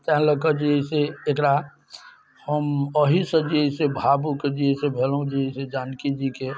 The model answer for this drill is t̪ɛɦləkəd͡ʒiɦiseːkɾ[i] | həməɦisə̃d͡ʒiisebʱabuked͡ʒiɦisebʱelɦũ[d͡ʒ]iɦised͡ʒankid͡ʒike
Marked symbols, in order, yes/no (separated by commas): no, yes